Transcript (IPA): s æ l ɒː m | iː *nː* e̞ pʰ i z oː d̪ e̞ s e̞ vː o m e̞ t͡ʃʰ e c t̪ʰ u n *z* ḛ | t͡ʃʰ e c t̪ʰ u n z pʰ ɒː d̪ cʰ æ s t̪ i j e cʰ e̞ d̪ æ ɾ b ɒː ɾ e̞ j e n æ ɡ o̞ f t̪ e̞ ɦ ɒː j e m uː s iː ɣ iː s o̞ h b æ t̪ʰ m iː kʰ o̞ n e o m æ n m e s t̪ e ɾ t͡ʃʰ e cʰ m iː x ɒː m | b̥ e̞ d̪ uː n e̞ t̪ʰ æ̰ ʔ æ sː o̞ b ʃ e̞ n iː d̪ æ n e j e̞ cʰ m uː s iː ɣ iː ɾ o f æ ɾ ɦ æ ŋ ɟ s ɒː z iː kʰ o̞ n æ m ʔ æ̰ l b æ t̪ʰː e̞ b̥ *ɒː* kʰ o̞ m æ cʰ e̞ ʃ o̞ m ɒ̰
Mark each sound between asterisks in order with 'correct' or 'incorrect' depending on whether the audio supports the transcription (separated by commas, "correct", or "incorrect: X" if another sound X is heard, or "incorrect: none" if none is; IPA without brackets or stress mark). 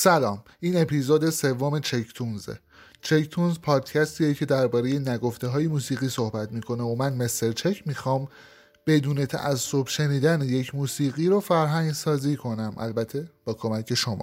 incorrect: n, correct, correct